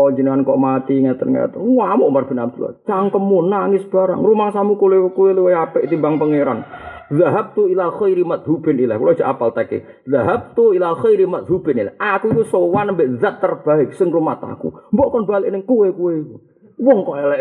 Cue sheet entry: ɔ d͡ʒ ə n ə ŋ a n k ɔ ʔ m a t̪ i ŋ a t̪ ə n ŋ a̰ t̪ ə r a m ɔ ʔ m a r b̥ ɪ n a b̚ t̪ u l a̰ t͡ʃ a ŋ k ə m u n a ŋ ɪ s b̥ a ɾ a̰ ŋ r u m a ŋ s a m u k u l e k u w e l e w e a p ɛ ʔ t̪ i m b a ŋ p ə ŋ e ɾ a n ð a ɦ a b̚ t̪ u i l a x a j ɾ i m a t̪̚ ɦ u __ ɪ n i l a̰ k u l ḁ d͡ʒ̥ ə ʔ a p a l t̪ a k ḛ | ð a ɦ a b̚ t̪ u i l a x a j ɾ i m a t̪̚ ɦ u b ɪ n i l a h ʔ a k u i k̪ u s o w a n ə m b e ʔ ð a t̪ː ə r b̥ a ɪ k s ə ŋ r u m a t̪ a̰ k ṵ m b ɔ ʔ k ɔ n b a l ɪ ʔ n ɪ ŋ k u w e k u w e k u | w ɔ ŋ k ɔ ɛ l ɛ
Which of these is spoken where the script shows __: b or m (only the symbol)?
b